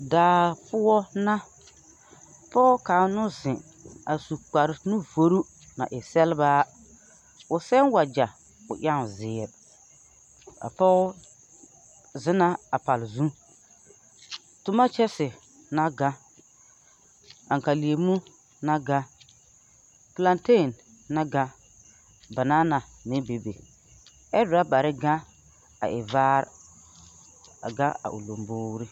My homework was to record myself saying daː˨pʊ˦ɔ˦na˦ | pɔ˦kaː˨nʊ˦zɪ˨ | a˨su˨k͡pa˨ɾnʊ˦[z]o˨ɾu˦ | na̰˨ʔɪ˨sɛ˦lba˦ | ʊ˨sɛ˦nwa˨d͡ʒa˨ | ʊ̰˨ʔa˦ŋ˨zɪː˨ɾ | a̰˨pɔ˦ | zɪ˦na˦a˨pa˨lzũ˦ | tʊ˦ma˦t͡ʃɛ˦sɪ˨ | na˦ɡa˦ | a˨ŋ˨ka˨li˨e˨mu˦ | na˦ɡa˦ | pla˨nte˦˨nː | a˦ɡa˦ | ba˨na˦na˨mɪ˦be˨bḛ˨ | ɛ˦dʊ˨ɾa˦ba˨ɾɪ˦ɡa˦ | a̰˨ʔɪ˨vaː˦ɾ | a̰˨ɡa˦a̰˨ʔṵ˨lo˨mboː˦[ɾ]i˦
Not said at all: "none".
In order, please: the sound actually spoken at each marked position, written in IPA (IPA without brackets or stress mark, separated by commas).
v, ɾ